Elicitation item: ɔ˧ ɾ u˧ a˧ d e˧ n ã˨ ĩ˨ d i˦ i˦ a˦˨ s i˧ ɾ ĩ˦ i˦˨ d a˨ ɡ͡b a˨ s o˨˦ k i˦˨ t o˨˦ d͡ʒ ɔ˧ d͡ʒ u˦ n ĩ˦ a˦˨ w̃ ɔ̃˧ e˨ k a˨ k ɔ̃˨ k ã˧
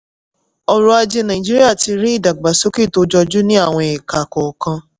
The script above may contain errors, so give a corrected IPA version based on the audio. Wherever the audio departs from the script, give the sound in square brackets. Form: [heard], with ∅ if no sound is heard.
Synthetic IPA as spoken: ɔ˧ ɾ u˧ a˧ [d͡ʒ] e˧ n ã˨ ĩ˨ [d͡ʒ] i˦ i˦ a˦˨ [t] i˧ ɾ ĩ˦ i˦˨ d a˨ ɡ͡b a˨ s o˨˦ k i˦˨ t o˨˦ d͡ʒ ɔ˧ d͡ʒ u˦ n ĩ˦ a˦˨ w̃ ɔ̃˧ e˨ k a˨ k [ɔ˨] k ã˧